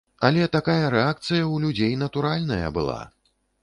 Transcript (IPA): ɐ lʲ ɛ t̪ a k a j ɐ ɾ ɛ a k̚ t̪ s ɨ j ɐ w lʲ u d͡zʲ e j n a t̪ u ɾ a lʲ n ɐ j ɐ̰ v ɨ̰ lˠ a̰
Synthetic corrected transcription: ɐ lʲ ɛ t̪ a k a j ɐ ɾ ɛ a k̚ t̪ s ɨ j ɐ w lʲ u d͡zʲ e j n ɐ t̪ u ɾ a lʲ n ɐ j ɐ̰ b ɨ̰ lˠ a̰